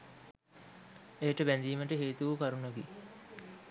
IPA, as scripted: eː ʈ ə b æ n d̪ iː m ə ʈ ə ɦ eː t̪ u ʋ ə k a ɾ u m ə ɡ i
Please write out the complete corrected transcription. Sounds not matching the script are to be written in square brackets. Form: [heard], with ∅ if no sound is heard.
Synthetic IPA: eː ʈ ə b æ n d̪ iː m ə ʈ ə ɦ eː t̪ u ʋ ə k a ɾ u [n] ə ɡ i